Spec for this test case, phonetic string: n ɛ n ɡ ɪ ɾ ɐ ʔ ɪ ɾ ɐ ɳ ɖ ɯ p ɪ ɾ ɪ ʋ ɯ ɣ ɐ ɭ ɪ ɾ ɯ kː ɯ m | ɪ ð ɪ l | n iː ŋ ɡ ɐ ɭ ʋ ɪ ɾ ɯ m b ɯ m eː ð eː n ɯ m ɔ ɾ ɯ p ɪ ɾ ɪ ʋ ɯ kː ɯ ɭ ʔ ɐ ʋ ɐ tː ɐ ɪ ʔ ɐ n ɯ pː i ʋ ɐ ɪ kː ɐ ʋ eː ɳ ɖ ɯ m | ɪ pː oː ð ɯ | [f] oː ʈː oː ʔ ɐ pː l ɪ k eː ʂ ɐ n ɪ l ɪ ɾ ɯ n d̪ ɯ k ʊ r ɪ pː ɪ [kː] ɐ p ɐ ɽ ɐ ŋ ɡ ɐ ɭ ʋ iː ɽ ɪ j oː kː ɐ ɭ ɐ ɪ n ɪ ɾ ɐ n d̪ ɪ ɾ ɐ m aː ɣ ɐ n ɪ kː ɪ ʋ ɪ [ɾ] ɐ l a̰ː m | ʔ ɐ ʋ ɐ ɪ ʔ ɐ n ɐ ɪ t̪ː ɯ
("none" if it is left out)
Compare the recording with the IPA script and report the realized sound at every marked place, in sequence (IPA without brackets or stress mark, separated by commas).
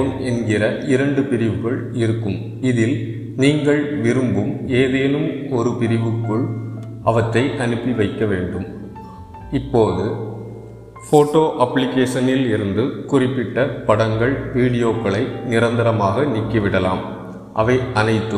f, ʈː, ɽ